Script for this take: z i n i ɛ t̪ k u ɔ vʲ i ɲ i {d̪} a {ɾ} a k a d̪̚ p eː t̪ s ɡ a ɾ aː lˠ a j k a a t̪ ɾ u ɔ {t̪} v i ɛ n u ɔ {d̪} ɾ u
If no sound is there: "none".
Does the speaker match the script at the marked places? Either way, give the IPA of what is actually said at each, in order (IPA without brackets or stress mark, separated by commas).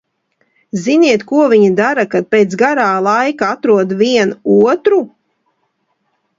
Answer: d̪, ɾ, d̪, t̪